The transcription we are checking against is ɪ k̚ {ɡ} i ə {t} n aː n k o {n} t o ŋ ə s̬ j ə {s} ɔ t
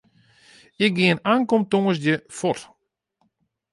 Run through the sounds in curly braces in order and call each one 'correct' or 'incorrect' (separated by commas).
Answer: correct, incorrect, incorrect, incorrect